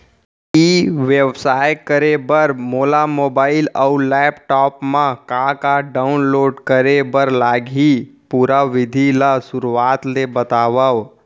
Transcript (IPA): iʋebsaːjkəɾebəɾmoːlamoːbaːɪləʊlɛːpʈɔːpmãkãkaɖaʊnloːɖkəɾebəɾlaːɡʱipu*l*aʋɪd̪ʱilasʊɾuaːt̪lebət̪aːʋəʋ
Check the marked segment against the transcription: incorrect: ɾ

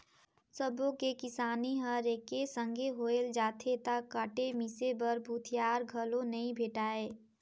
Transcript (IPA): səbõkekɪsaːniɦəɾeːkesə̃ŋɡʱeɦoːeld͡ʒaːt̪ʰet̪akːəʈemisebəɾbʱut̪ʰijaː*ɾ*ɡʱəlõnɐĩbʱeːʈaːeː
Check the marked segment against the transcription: correct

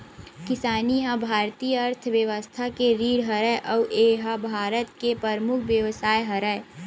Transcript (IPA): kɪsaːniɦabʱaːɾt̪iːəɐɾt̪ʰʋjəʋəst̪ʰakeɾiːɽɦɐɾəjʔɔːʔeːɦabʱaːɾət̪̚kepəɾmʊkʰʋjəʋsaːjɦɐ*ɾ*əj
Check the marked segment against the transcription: correct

